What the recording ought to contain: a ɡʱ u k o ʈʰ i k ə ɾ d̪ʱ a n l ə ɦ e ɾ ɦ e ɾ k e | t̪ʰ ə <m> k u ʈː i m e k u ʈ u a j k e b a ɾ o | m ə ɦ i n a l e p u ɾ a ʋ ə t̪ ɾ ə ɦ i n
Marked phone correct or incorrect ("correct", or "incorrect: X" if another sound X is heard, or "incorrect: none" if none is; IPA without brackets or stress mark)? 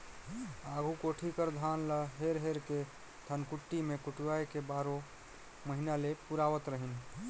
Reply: incorrect: n